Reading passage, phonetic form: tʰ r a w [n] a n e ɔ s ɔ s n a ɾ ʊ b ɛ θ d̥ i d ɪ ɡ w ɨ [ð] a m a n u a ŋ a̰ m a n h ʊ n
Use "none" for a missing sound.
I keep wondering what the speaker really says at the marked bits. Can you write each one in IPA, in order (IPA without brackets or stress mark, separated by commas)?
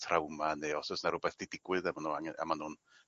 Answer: m, ð